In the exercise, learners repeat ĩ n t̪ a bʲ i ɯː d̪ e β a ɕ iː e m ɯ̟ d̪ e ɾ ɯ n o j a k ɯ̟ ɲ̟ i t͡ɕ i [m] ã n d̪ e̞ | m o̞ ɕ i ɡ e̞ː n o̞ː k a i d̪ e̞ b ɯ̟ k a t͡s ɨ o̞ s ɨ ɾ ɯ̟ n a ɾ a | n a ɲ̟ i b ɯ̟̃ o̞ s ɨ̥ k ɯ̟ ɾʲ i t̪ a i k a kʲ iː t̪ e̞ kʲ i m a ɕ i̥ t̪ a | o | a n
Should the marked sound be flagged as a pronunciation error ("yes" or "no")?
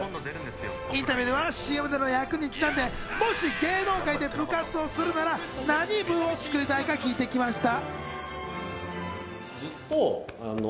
yes